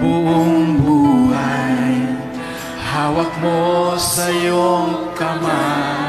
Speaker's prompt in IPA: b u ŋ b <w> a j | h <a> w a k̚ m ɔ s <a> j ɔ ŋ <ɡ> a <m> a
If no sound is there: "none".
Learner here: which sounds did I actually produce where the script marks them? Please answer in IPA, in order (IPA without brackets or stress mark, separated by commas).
u, a, a, k, m